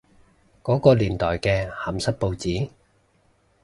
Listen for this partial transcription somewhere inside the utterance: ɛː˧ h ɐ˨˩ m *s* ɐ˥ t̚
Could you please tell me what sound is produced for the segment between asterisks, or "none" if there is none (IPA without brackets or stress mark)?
s